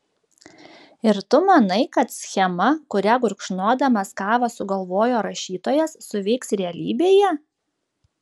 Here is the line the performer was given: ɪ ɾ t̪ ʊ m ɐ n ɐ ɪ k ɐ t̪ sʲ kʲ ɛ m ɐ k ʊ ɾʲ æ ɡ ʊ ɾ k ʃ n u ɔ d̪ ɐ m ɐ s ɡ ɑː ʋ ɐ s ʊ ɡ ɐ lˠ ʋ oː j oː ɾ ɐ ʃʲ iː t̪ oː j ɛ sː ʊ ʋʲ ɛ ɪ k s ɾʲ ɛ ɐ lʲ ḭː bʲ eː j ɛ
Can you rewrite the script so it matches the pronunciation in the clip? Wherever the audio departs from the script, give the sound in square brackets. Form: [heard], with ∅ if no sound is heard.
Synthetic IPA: ɪ ɾ t̪ ʊ m ɐ n ɐ ɪ k ɐ t̪ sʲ [xʲ] ɛ m ɐ k ʊ ɾʲ æ ɡ ʊ ɾ k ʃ n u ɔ d̪ ɐ m ɐ s [k] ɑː ʋ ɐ s ʊ ɡ ɐ lˠ ʋ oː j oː ɾ ɐ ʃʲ iː t̪ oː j ɛ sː ʊ ʋʲ ɛ ɪ k s ɾʲ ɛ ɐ lʲ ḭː bʲ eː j ɛ